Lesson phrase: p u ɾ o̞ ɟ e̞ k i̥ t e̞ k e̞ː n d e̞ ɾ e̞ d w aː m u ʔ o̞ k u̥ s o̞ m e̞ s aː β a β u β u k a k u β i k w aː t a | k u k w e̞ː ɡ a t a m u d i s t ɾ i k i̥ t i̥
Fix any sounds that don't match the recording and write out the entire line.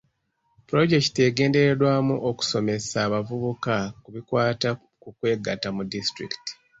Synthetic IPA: p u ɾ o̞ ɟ e̞ k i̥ t e̞ ɡ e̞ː n d e̞ ɾ e̞ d w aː m u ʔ o̞ k u̥ s o̞ m e̞ s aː β a v u β u k a k u β i k w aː t a | k u k w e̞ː ɡ a t a m u d i s t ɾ i k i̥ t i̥